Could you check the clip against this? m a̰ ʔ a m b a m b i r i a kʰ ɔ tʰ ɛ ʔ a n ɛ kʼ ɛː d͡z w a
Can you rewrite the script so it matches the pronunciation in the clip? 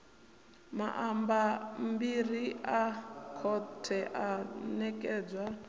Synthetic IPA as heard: m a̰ ʔ a m b a m b i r i a kʰ ɔ tʰ ɛ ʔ a n ɛ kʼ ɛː d͡z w a